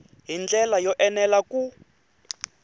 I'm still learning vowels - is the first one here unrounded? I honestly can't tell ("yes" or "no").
yes